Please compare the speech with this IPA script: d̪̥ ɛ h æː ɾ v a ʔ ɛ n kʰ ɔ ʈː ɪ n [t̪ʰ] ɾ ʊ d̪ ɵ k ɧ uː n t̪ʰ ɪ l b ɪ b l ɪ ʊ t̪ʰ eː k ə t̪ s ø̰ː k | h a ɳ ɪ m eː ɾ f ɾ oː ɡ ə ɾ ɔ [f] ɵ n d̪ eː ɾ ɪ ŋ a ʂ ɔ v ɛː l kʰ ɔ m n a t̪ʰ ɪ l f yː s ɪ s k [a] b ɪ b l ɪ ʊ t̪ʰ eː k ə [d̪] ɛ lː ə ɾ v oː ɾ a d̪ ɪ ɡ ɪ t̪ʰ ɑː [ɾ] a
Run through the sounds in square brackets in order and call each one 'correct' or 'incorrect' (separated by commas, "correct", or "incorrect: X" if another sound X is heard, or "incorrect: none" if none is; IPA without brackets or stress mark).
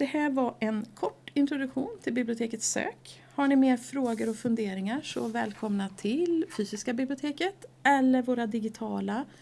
incorrect: t̪, correct, correct, incorrect: t̪, incorrect: l